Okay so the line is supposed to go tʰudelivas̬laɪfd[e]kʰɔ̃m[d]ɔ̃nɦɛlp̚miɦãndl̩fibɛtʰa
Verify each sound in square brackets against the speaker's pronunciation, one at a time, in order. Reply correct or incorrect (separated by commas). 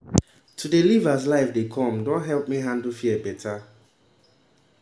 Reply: correct, correct